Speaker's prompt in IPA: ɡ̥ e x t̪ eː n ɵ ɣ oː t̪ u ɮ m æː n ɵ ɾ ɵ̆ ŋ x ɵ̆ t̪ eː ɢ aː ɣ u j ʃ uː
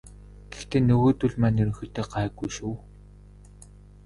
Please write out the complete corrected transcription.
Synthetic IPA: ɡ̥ e x t̪ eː n ɵ ɣ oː t̪ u ɮ m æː n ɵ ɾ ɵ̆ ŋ x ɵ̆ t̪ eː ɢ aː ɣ u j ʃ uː